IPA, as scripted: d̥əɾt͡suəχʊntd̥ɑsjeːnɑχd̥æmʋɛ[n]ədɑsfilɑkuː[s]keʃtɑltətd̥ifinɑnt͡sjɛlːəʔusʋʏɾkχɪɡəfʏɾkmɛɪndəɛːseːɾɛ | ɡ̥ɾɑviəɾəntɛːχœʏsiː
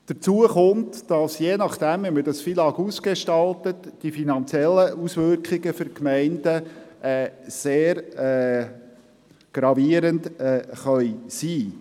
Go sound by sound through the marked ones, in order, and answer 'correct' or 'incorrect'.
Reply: incorrect: m, correct

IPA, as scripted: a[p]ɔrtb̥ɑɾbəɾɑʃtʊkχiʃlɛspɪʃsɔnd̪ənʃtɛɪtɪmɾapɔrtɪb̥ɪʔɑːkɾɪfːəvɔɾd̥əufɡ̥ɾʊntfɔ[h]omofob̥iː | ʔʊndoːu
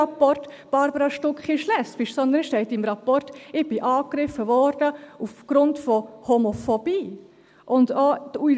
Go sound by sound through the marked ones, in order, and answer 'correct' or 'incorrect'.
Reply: correct, correct

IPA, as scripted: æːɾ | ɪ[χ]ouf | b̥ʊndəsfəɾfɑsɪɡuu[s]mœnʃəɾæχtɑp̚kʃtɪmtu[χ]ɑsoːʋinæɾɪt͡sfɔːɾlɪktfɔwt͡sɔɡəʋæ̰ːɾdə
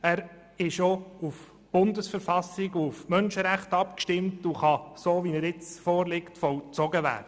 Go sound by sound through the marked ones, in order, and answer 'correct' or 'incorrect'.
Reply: incorrect: ʃ, incorrect: f, correct

